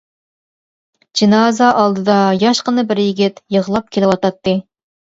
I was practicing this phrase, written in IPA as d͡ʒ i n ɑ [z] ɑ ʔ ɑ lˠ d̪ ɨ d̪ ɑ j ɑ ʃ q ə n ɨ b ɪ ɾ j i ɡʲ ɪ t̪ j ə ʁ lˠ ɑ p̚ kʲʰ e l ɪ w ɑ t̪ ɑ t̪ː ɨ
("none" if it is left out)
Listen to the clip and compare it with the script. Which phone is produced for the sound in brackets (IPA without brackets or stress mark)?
z